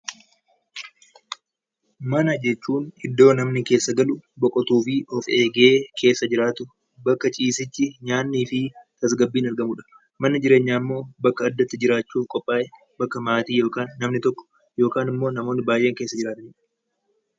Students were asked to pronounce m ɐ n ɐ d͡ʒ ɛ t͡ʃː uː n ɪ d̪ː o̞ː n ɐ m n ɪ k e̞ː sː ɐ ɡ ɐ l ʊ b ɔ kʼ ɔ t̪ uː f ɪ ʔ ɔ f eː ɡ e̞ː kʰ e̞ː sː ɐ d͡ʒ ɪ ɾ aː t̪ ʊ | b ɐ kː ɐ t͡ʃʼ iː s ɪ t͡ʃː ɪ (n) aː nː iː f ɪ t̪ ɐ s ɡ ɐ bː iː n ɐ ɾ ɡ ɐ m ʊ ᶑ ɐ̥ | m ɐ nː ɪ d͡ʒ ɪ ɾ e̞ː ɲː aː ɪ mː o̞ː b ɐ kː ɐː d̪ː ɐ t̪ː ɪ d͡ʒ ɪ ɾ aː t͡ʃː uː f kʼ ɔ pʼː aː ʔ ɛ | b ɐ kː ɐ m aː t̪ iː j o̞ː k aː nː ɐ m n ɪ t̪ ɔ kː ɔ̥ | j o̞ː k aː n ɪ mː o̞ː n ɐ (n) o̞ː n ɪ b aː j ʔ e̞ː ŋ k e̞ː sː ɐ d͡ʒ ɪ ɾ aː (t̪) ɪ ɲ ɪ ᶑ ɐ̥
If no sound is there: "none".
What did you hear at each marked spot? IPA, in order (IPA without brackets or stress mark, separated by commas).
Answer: ɲ, m, t̪